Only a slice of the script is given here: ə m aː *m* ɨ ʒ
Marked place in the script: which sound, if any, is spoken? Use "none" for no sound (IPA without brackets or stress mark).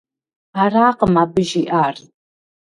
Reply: b